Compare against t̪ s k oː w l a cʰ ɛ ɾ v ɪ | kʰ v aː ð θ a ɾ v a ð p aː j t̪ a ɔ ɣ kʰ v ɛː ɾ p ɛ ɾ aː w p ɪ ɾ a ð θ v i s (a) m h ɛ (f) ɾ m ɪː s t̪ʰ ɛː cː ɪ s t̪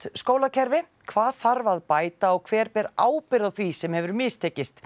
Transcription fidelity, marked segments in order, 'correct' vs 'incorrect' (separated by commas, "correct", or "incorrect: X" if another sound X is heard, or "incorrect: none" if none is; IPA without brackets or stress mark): incorrect: ɛ, incorrect: v